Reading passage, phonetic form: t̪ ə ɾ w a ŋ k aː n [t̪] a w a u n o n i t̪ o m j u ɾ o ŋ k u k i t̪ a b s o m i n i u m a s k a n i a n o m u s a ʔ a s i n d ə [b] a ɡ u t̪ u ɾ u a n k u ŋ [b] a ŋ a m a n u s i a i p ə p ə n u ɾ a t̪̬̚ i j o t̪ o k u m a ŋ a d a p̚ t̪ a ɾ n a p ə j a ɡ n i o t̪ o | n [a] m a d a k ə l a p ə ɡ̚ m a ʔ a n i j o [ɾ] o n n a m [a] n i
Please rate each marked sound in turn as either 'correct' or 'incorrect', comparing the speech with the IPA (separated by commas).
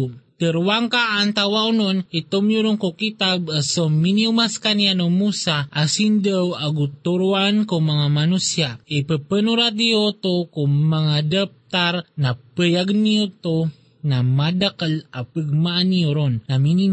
correct, incorrect, incorrect, correct, correct, incorrect